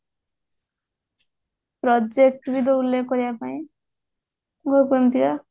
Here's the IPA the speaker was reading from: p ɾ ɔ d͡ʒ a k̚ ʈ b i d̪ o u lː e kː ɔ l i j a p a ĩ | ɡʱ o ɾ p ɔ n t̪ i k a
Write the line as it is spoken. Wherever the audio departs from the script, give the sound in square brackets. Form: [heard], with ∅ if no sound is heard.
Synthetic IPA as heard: p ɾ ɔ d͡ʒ [e] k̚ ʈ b i d̪ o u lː e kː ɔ [ɾ] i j a p a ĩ | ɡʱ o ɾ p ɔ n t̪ i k a